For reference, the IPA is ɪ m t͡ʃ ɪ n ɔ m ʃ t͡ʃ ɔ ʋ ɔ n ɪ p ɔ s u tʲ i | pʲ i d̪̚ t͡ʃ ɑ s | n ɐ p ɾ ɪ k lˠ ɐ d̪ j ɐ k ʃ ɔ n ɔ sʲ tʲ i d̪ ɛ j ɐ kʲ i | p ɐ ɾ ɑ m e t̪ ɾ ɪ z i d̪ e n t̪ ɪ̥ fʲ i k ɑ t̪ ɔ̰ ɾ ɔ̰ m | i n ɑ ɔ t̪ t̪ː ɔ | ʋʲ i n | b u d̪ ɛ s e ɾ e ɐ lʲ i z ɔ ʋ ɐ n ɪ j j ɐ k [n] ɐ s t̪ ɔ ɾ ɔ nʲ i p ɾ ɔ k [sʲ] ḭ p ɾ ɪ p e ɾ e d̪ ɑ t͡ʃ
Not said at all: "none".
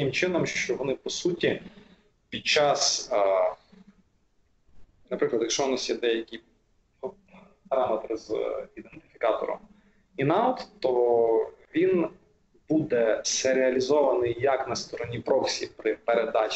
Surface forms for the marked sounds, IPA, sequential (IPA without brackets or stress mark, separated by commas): n, sʲ